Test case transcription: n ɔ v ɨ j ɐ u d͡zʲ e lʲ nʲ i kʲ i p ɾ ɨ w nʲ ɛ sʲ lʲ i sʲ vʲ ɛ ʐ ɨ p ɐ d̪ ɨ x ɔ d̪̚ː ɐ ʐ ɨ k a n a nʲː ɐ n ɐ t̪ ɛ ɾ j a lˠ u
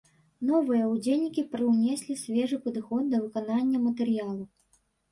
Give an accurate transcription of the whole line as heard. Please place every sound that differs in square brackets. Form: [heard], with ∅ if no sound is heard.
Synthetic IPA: n ɔ v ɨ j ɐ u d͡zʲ e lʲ nʲ i kʲ i p ɾ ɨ w nʲ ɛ sʲ lʲ i sʲ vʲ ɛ ʐ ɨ p ɐ d̪ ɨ x ɔ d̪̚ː ɐ [v] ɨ k a n a nʲː ɐ [m] ɐ t̪ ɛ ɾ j a lˠ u